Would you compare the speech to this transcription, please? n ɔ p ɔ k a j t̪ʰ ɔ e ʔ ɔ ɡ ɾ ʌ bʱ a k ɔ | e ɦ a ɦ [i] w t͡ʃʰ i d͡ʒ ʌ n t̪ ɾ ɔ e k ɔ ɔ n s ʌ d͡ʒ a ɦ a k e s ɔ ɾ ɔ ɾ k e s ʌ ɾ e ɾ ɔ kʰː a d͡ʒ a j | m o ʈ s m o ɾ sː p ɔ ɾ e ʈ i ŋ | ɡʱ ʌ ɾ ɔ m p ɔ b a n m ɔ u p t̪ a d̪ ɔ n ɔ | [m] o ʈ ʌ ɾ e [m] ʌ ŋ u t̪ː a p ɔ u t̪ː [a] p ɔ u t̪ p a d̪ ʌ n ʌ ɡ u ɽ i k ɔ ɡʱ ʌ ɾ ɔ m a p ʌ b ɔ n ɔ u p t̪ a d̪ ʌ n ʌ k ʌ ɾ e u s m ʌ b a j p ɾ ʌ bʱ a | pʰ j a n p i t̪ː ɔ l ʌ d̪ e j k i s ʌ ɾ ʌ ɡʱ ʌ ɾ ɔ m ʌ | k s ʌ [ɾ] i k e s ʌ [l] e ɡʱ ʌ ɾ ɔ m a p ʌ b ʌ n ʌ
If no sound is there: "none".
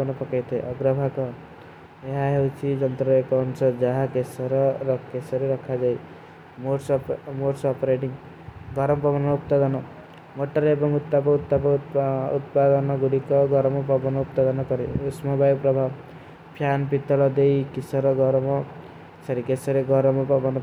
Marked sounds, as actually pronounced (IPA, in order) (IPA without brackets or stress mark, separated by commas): e, m, b, a, ɾ, ɾ